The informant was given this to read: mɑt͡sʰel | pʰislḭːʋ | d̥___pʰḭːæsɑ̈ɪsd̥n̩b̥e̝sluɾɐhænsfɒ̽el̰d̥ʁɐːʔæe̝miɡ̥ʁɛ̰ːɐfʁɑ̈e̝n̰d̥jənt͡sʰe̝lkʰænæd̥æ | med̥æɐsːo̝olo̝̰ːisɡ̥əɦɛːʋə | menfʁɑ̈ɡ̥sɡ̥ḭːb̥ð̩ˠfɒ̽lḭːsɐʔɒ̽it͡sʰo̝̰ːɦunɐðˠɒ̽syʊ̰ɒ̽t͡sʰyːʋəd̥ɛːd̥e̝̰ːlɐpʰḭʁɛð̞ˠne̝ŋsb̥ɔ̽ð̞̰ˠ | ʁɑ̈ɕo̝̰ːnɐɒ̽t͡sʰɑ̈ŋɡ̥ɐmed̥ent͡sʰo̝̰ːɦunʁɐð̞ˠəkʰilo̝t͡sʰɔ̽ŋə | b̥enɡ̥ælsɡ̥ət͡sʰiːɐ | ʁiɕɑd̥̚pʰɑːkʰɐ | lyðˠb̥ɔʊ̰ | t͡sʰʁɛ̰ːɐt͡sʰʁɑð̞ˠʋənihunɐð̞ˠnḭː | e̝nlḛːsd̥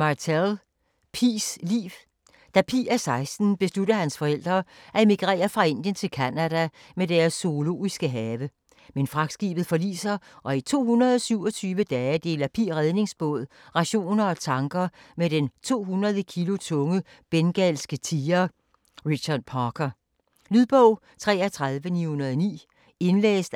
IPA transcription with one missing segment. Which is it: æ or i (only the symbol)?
æ